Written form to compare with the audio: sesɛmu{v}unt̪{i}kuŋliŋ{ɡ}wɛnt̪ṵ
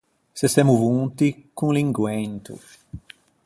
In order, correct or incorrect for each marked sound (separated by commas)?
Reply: correct, correct, correct